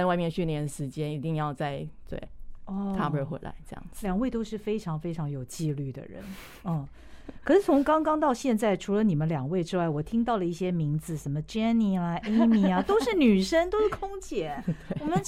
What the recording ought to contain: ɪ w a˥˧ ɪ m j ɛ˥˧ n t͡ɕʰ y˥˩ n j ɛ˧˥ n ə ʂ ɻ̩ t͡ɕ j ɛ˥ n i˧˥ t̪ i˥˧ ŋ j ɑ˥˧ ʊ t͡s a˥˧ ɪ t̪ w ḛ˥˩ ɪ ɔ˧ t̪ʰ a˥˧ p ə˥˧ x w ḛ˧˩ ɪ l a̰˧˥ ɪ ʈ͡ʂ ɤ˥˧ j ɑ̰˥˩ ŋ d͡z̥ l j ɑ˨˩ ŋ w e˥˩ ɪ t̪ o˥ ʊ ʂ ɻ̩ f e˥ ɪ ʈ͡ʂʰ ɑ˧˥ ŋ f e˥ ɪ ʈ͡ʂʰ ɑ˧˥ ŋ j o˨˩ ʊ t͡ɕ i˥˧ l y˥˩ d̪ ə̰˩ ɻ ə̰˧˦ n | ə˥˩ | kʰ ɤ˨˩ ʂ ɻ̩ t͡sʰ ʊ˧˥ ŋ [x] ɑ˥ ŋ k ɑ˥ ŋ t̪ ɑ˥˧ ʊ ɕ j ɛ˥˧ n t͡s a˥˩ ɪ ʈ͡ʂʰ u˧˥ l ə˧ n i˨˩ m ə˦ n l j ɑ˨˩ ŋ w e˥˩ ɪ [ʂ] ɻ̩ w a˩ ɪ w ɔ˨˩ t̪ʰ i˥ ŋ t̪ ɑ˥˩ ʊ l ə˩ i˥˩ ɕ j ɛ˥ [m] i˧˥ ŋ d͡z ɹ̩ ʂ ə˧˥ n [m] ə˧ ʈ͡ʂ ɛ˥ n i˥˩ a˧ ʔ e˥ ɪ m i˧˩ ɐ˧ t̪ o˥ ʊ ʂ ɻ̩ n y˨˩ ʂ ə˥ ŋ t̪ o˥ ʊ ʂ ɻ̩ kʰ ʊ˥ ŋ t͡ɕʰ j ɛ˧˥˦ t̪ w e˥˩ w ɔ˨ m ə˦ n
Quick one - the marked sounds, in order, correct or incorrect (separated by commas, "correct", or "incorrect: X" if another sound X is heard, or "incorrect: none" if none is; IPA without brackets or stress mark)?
incorrect: k, incorrect: ʈ͡ʂ, correct, correct